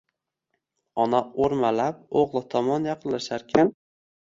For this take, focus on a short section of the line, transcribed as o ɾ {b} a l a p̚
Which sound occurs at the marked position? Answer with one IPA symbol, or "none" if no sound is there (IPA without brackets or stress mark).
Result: m